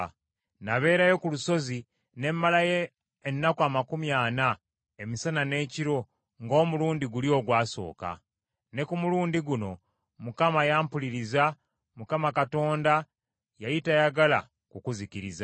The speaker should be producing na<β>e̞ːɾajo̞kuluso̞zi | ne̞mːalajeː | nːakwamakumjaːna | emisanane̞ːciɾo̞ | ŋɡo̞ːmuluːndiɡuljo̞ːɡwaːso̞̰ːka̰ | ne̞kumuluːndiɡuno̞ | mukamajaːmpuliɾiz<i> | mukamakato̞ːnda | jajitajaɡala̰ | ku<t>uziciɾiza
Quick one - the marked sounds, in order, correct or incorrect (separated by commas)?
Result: correct, incorrect, incorrect